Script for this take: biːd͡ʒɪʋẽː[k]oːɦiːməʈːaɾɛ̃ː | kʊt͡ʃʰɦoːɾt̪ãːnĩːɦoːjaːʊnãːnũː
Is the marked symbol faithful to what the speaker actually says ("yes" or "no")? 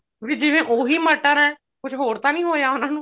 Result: no